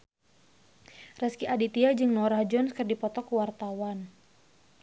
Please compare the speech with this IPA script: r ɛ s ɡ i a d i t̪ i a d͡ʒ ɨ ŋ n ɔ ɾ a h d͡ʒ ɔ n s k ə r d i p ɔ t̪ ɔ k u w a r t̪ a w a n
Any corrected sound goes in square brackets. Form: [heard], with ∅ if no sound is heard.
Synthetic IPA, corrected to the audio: r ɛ s [k] i a d i t̪ i a d͡ʒ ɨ ŋ n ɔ ɾ a h d͡ʒ ɔ n s k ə r d i p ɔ t̪ ɔ k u w a r t̪ a w a n